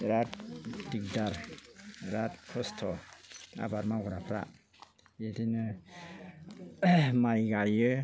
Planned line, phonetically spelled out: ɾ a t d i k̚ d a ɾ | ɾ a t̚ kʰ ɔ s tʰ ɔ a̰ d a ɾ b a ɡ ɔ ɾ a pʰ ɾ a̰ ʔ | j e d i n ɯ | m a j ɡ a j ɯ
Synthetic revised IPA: ɾ a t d i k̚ d a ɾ | ɾ a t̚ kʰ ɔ s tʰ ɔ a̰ b a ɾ m a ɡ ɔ ɾ a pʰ ɾ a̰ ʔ | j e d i n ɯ | m a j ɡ a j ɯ